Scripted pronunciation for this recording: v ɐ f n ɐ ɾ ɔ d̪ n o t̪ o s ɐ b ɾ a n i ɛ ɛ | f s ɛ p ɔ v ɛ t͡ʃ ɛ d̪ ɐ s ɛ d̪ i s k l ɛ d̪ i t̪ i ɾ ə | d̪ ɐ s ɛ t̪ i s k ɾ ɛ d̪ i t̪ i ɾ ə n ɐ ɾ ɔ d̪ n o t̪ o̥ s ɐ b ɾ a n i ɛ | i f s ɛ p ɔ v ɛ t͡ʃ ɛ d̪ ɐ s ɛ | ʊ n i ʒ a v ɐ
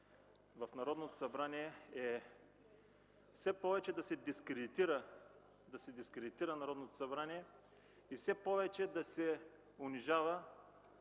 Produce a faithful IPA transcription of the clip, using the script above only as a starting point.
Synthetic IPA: v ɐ f n ɐ ɾ ɔ d̪ n o t̪ o s ɐ b ɾ a n i ɛ ɛ | f s ɛ p ɔ v ɛ t͡ʃ ɛ d̪ ɐ s ɛ d̪ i s k ɾ ɛ d̪ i t̪ i ɾ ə | d̪ ɐ s ɛ d̪ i s k ɾ ɛ d̪ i t̪ i ɾ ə n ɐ ɾ ɔ d̪ n o t̪ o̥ s ɐ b ɾ a n i ɛ | i f s ɛ p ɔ v ɛ t͡ʃ ɛ d̪ ɐ s ɛ | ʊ n i ʒ a v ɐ